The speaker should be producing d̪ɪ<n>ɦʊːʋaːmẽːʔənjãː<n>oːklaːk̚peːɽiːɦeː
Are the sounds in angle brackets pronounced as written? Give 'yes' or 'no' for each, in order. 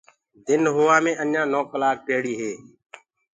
yes, yes

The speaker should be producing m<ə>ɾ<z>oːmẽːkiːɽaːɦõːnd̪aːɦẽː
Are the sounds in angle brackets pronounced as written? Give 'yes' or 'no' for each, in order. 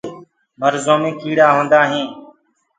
yes, yes

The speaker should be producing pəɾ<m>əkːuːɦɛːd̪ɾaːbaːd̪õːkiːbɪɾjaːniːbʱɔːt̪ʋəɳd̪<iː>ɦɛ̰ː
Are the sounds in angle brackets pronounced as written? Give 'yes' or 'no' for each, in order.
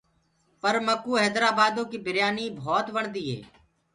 yes, yes

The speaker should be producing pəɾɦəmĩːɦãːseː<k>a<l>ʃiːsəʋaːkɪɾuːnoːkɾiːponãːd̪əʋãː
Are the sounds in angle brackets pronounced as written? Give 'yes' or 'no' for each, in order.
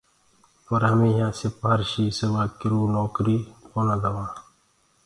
no, no

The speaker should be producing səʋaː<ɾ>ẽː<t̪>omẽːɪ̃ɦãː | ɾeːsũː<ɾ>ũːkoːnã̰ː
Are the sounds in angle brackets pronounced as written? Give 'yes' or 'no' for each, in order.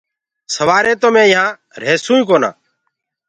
yes, yes, no

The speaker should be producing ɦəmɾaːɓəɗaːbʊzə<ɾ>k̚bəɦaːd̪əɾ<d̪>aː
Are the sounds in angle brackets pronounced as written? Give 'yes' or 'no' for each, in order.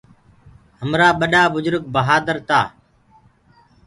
yes, no

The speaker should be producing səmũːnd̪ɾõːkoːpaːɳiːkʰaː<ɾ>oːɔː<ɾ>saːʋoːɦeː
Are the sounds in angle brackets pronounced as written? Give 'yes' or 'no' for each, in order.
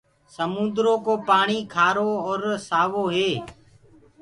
yes, yes

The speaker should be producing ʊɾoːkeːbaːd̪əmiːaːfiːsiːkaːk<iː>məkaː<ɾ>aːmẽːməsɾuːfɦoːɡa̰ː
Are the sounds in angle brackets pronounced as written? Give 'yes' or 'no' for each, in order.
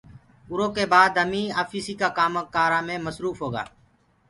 no, yes

